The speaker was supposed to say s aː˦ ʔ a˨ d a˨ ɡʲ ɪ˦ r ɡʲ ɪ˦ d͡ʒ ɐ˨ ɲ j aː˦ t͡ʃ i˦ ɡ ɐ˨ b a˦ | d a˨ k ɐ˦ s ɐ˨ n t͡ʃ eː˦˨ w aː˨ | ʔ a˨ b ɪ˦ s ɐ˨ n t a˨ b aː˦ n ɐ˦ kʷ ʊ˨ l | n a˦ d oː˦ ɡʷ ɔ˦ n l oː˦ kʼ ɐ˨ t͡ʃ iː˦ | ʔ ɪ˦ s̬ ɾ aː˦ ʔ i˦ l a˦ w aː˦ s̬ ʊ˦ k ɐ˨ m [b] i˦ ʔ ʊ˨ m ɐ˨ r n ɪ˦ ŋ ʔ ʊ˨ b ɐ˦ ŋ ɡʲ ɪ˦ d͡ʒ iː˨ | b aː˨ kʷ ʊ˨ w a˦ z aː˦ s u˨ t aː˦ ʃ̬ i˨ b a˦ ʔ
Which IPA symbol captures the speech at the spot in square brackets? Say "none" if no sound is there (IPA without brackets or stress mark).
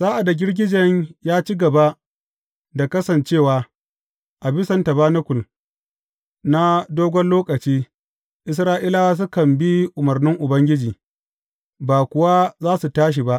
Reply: b